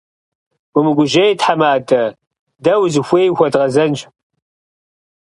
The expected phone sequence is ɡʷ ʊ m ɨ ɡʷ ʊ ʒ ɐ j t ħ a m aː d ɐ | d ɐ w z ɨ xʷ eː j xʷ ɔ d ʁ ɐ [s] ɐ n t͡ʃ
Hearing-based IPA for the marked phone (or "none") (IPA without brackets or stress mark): z